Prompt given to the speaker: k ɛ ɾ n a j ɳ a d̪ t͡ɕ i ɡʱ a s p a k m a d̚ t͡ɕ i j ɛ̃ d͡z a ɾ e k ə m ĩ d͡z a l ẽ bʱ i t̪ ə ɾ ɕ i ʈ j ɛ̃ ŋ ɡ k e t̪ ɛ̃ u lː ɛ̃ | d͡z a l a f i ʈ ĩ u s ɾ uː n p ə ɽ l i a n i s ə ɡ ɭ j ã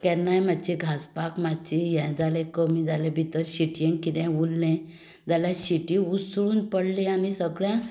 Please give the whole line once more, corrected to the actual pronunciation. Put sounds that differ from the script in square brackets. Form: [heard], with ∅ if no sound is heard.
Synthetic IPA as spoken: k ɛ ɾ n a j [m] a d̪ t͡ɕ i ɡʱ a s p a k m a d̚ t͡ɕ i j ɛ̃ d͡z a [l] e k ə m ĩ d͡z a l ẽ bʱ i t̪ ə ɾ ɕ i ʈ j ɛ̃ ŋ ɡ k [i] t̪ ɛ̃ u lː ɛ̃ | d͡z a l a [ɕ] i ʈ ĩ u s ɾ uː n p ə ɽ l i a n i s ə ɡ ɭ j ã